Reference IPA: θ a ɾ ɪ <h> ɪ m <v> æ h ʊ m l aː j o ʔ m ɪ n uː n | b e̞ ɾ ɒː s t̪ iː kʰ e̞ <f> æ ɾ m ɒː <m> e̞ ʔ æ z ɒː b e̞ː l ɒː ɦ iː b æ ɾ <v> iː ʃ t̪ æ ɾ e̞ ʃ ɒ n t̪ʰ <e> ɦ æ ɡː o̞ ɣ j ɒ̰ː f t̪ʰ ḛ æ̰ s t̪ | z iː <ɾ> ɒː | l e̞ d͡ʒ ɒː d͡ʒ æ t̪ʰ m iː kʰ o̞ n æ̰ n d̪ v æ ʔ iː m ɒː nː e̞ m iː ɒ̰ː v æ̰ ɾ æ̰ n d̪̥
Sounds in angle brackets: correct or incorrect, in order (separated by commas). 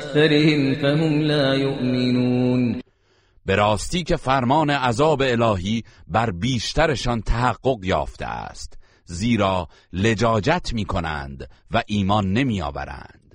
correct, incorrect, correct, incorrect, incorrect, incorrect, correct